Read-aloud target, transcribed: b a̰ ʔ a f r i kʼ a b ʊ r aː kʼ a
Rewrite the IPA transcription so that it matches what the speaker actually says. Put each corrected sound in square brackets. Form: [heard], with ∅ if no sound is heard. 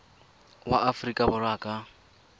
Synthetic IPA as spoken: [w] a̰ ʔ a f r i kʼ a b ʊ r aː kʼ a